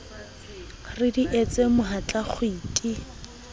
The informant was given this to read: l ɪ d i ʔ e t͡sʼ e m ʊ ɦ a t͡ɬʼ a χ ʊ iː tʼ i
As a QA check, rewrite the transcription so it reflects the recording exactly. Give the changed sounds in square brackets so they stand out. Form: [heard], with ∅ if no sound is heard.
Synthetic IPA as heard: [r] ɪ d i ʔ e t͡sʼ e m ʊ ɦ a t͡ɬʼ a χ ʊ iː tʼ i